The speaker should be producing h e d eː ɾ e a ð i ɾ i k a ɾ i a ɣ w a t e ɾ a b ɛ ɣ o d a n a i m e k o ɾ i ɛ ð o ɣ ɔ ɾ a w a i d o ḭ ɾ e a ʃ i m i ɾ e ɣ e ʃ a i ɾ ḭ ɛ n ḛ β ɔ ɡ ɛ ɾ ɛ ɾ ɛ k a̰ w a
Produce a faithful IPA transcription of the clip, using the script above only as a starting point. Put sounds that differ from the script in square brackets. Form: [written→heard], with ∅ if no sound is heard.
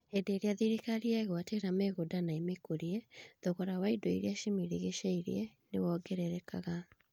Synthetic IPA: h e d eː ɾ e a ð i ɾ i k a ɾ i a ɣ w a t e ɾ a [b→m] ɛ ɣ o d a n a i m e k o ɾ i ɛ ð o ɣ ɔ ɾ a w a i d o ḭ ɾ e a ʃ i m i ɾ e ɣ e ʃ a i ɾ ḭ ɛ n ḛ [β→w] ɔ ɡ ɛ ɾ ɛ ɾ ɛ k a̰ [w→ɣ] a

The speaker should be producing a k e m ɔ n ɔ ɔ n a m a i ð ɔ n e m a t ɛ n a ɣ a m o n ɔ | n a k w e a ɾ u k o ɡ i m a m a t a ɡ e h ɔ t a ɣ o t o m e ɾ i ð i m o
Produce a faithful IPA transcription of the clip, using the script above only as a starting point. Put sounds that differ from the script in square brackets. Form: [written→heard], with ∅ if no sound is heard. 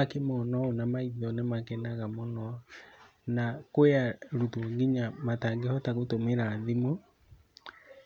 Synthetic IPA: a k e m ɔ n ɔ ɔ n a m a i ð ɔ n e m a [t→k] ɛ n a ɣ a m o n ɔ | n a k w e a ɾ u [k→t] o ɡ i [m→ɲ] a m a t a ɡ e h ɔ t a ɣ o t o m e ɾ [i→a] ð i m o

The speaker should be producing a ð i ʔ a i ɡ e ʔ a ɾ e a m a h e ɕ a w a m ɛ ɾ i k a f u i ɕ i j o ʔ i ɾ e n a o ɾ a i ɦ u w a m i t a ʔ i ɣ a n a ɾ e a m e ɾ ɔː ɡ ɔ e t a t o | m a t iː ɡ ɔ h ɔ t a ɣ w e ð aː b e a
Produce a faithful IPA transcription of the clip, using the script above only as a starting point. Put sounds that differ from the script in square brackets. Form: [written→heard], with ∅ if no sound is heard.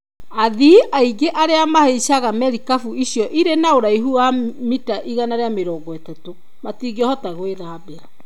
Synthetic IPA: a ð i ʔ a i ɡ e ʔ a ɾ e a m a h e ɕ a [w→ɣ] a m ɛ ɾ i k a f u i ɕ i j [o→ɔ] ʔ i ɾ e n a o ɾ a i ɦ u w a m i t a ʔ i ɣ a n a ɾ e a m e ɾ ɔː ɡ ɔ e t a t o | m a t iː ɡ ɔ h ɔ t a ɣ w e ð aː b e a

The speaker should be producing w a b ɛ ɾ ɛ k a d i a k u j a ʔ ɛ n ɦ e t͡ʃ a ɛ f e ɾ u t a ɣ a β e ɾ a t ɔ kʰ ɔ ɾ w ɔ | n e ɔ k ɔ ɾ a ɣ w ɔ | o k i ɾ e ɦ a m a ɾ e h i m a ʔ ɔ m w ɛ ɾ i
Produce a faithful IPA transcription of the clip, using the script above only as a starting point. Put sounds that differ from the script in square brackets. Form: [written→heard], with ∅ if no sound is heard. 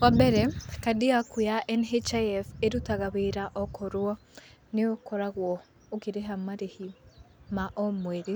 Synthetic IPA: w a b ɛ ɾ ɛ k a d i a k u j a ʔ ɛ n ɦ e t͡ʃ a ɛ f e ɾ u t a ɣ a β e ɾ a [t→ʔ] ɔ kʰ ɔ ɾ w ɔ | n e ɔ k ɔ ɾ a ɣ w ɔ | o k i ɾ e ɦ a m a ɾ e h i m a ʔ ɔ m w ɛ ɾ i

